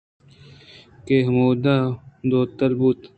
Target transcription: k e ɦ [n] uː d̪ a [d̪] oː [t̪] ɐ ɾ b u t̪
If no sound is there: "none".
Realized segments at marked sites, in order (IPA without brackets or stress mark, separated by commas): m, d̪, t̪